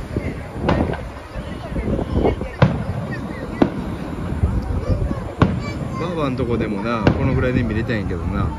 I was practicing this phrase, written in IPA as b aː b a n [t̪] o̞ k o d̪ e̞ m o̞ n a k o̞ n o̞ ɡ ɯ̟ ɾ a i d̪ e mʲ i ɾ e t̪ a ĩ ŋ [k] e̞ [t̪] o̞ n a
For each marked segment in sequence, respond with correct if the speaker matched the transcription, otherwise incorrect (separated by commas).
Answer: correct, correct, incorrect